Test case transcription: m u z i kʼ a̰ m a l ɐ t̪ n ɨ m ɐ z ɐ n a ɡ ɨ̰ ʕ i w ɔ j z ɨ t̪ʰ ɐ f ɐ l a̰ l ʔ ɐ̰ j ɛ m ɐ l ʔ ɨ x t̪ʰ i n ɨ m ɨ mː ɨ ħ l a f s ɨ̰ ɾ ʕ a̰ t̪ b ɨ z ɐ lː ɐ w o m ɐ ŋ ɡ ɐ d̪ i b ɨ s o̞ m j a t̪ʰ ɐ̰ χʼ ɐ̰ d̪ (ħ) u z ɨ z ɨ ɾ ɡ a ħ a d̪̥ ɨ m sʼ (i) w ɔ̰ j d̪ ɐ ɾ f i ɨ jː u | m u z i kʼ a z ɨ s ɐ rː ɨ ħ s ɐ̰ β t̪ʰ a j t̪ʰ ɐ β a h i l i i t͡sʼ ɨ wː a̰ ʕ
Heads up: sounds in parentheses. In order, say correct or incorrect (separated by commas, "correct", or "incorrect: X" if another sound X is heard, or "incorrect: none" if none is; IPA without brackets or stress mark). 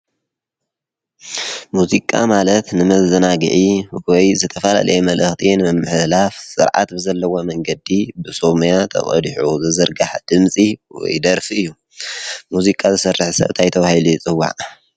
correct, correct